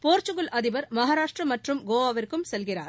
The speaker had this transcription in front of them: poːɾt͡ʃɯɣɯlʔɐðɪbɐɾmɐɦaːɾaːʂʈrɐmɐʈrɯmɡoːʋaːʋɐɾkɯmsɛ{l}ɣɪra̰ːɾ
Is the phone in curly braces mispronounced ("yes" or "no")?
no